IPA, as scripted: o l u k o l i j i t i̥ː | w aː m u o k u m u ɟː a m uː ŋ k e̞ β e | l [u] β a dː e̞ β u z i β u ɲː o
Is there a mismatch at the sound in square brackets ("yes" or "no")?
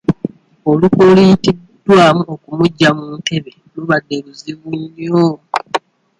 no